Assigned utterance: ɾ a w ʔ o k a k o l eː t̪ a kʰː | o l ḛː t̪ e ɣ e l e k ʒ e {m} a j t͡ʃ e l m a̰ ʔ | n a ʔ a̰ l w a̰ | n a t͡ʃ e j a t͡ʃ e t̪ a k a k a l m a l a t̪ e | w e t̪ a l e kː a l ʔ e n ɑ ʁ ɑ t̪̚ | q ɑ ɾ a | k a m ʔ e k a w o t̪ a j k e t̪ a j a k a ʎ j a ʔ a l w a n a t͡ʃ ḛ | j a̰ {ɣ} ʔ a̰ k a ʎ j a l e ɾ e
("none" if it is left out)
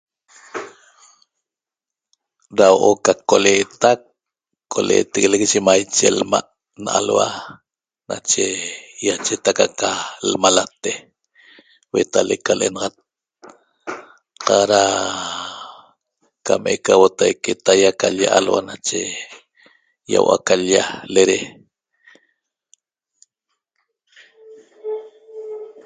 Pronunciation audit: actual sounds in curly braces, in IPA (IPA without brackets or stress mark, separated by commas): m, w